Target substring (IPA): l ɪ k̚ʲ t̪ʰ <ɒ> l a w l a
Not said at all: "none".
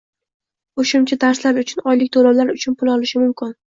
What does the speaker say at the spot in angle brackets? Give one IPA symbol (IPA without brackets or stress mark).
o